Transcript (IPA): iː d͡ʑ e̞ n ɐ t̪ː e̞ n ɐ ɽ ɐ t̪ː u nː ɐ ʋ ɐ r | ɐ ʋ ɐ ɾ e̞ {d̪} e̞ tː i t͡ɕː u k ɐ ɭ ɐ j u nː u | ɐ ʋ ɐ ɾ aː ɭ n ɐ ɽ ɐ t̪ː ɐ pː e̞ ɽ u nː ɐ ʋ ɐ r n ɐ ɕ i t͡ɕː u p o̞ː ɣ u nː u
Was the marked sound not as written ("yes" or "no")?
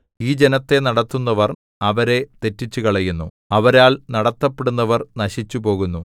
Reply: yes